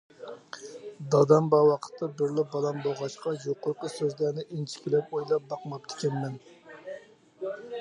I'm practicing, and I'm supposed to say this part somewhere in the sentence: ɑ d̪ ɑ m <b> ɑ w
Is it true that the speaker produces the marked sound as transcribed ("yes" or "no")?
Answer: yes